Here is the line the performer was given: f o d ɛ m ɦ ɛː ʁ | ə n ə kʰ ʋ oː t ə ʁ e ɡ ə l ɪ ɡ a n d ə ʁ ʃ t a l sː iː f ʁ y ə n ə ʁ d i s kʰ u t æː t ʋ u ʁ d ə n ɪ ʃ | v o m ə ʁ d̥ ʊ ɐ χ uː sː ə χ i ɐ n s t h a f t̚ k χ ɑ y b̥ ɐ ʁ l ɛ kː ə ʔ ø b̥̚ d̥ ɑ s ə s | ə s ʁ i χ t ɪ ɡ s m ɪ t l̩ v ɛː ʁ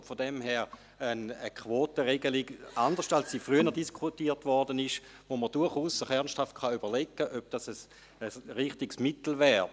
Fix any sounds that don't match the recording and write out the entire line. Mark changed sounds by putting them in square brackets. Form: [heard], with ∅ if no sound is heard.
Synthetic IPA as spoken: f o d ɛ m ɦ ɛː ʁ | ə n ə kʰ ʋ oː t ə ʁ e ɡ ə l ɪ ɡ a n d ə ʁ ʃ t a l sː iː f ʁ y ə n ə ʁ d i s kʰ u t [iː] t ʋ [ɔ] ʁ d ə n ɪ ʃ | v o m ə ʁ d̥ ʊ ɐ χ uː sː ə χ [ɛ] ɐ n s t h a f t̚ k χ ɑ y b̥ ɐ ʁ l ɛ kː ə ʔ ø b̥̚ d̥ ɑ s ə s | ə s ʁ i χ t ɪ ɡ s m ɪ t l̩ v ɛː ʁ